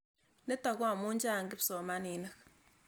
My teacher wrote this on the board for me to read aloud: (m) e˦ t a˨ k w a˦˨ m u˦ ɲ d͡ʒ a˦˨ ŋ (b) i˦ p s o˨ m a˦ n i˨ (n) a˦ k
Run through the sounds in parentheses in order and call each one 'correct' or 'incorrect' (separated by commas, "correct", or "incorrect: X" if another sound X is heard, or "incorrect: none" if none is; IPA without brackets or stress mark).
incorrect: n, incorrect: ɡ, correct